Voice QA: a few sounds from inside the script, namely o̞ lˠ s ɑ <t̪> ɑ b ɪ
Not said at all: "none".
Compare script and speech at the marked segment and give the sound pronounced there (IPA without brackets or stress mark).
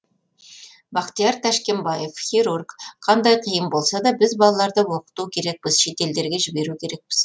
d̪